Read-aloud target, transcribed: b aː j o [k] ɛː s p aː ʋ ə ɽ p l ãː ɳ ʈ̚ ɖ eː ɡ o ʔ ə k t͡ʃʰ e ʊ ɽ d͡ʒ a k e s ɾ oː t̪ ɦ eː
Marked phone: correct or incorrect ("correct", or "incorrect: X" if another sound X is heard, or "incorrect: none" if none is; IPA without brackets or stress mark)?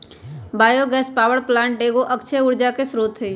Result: incorrect: ɡ